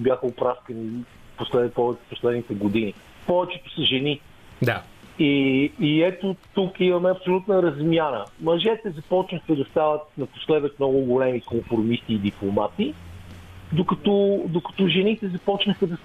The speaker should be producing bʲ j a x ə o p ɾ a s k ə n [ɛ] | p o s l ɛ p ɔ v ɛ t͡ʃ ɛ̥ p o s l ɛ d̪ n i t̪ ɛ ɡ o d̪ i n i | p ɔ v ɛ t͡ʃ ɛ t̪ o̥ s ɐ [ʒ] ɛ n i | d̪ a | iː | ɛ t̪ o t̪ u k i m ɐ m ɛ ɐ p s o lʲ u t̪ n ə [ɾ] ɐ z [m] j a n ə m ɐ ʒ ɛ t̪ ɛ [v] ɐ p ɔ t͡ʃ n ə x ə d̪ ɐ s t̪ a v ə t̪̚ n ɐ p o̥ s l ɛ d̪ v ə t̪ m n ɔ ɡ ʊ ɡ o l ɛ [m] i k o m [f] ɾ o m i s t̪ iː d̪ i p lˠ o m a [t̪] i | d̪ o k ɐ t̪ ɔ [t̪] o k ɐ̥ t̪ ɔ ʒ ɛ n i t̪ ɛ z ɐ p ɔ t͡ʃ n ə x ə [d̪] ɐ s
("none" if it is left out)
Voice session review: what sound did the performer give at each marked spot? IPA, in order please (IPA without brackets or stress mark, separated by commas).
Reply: i, ʒ, ɾ, m, z, m, f, t̪, d̪, d̪